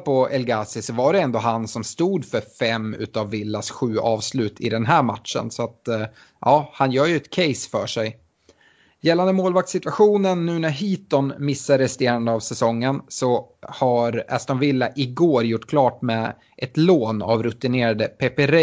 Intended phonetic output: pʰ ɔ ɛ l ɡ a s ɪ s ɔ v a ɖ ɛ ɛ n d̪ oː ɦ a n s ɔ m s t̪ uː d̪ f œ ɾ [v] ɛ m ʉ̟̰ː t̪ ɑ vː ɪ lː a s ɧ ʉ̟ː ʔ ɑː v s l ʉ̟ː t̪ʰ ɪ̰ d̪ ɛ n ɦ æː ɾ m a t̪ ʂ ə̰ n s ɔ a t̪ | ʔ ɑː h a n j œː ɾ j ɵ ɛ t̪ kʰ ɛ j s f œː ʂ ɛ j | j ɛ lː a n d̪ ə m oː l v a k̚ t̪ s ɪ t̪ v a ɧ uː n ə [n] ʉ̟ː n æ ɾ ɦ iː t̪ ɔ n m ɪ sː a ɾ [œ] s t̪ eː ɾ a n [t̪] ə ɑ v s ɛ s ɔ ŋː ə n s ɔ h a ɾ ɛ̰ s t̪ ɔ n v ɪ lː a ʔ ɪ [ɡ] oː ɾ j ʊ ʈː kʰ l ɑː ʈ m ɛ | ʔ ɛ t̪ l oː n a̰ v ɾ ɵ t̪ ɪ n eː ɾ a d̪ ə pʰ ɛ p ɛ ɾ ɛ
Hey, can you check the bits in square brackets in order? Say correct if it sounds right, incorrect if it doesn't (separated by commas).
incorrect, incorrect, incorrect, incorrect, correct